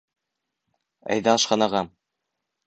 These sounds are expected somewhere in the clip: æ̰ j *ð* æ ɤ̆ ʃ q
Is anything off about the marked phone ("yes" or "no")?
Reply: no